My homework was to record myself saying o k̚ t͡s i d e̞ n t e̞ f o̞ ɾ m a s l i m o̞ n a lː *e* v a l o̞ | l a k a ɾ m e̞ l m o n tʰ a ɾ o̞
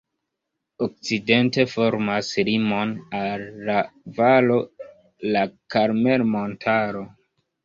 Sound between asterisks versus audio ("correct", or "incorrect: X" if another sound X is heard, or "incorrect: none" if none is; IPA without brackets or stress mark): incorrect: a